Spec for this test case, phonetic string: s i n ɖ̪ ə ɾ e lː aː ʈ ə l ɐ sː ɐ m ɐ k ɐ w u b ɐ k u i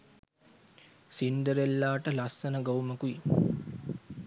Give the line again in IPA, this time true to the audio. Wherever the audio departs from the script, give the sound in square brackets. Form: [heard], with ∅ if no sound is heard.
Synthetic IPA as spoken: s i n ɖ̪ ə ɾ e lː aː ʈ ə l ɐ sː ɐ [n] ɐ [ɡ] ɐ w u [m] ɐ k u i